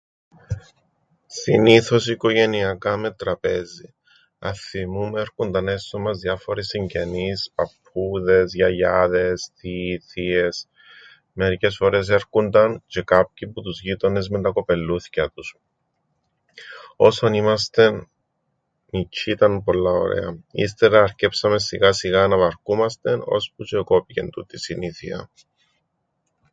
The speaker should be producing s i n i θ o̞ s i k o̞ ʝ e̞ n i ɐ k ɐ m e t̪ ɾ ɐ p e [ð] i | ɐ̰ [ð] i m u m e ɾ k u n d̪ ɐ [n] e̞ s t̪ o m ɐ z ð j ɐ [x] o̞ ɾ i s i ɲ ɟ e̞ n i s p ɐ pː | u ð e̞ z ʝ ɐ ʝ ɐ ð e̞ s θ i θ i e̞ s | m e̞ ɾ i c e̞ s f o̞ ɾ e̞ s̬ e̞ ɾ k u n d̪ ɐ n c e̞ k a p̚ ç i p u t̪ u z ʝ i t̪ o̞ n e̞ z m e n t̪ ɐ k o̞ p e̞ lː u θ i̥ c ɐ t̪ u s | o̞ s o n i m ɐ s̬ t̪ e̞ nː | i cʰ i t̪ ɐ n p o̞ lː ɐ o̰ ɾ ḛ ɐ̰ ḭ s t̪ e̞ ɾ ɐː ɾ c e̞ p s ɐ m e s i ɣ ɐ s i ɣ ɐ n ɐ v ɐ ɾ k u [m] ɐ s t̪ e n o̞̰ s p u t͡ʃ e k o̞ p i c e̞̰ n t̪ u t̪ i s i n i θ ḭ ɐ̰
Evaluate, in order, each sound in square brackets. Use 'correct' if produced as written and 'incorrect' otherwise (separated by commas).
incorrect, incorrect, correct, incorrect, correct